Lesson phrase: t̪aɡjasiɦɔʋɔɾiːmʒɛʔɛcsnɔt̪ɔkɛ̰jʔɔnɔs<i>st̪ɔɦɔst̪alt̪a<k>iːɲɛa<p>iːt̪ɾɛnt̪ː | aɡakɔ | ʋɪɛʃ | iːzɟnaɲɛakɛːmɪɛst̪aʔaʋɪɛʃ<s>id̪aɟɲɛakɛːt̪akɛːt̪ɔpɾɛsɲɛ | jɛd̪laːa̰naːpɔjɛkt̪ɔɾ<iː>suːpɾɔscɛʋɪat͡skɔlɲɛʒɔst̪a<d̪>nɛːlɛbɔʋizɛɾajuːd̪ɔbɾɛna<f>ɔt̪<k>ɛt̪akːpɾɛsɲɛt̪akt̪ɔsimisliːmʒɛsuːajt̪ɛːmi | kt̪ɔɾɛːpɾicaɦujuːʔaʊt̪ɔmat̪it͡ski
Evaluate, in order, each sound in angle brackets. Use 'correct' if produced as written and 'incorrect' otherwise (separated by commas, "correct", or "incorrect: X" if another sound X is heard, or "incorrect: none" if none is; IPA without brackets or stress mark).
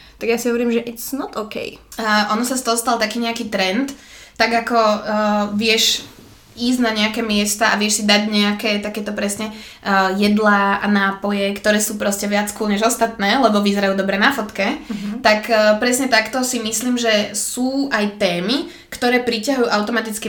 incorrect: a, correct, incorrect: k, correct, incorrect: ɛː, incorrect: t̪, correct, correct